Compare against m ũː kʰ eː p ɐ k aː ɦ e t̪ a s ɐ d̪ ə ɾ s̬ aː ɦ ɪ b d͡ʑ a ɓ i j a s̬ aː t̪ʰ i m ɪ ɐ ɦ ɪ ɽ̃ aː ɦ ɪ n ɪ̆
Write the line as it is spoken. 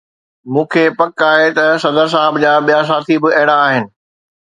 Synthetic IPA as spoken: m ũː kʰ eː p ɐ k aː ɦ e t̪ ɐ s ɐ d̪ ə ɾ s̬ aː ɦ ɪ b d͡ʑ a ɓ i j a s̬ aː t̪ʰ i b ɪ ɐ ɦ ɪ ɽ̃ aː ɦ ɪ n ɪ̆